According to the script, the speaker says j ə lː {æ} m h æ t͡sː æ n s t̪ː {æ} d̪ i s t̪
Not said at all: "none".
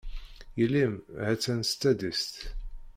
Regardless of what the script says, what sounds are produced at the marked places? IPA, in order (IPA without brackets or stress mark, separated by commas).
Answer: i, æ